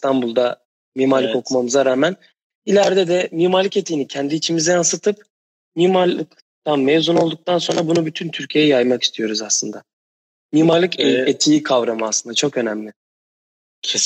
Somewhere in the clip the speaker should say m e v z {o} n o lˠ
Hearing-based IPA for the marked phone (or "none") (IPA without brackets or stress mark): u